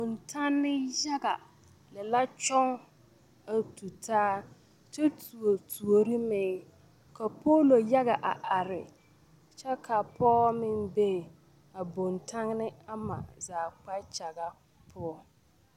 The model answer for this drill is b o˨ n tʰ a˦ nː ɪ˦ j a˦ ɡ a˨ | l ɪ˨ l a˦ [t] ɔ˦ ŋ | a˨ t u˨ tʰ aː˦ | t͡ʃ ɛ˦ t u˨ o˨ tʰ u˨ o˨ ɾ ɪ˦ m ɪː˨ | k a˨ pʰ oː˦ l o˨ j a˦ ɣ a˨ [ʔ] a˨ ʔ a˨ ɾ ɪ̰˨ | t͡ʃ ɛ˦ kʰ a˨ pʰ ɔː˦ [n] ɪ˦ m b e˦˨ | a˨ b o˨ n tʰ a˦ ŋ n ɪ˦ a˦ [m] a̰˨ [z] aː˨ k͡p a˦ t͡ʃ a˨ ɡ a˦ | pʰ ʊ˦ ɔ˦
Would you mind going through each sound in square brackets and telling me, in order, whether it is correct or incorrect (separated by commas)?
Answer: incorrect, correct, incorrect, correct, correct